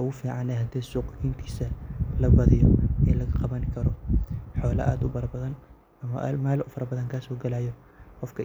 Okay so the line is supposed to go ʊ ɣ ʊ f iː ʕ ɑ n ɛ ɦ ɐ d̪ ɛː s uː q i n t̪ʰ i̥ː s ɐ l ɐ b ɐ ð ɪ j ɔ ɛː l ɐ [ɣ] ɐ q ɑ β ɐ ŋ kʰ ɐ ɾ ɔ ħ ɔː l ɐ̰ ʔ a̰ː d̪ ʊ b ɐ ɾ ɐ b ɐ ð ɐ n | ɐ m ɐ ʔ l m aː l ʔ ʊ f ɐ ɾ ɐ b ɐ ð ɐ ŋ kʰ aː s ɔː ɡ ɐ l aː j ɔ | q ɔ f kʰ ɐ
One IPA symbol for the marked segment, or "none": ɣ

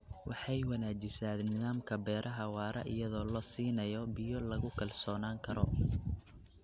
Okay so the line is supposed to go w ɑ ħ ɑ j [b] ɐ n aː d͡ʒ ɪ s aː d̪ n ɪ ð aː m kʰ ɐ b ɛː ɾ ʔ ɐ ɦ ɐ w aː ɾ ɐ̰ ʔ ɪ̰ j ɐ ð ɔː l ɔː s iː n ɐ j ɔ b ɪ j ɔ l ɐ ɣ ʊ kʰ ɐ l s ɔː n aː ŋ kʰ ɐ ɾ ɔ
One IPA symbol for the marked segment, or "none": w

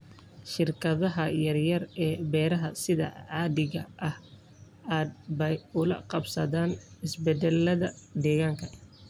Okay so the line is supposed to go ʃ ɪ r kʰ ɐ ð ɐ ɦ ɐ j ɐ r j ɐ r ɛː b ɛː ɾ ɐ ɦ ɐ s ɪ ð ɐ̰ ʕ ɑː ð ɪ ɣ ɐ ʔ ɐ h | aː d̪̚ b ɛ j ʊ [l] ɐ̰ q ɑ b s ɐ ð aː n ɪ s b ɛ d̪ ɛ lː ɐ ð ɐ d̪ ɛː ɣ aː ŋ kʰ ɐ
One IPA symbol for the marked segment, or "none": l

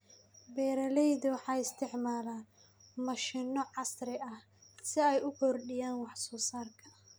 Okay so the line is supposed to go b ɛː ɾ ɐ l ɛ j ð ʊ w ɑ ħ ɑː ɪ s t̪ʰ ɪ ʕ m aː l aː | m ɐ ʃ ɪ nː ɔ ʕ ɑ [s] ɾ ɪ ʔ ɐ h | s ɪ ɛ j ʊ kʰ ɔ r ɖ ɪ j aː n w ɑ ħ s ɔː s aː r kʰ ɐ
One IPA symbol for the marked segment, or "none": s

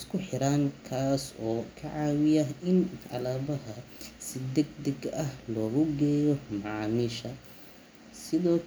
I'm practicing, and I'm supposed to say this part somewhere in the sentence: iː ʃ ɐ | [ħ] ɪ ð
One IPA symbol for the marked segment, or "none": s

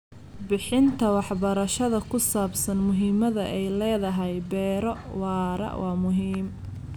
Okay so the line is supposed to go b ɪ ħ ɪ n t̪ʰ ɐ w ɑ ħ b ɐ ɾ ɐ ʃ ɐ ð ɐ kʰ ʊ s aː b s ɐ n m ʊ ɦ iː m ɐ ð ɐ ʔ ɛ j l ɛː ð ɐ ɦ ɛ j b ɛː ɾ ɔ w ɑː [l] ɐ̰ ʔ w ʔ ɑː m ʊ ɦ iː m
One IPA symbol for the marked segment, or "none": ɾ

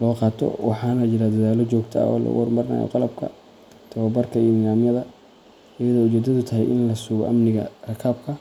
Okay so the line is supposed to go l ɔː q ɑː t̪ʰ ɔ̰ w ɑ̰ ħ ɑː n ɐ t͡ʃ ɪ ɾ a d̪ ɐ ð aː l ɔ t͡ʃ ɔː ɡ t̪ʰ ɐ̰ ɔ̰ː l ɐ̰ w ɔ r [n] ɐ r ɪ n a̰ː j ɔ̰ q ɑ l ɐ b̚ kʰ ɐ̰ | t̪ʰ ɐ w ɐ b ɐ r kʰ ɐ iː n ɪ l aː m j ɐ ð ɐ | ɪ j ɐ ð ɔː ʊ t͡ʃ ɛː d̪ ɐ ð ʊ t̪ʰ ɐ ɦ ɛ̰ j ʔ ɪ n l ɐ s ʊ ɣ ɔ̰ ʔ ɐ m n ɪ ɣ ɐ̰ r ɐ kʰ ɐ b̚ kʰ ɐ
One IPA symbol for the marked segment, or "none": m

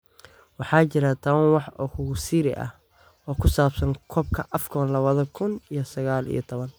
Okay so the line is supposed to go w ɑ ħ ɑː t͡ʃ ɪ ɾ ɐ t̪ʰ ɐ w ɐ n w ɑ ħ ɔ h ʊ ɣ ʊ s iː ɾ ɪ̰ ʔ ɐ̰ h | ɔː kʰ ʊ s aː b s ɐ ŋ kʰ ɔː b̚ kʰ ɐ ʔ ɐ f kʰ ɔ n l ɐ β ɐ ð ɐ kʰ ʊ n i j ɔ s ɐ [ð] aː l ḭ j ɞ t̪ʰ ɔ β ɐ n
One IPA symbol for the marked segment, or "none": ɣ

